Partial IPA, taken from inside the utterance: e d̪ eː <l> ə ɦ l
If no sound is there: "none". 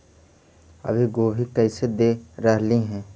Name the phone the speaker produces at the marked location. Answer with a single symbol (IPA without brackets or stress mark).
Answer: ɾ